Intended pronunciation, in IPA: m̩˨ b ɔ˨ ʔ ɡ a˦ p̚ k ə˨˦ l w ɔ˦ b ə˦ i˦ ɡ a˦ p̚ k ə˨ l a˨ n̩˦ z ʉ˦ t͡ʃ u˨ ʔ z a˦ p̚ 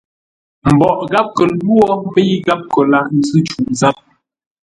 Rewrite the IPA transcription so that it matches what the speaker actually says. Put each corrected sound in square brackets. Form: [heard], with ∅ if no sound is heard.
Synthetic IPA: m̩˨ b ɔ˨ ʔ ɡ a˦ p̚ k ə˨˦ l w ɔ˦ b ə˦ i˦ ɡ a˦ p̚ k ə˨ l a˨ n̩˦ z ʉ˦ t͡ʃ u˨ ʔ z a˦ p̚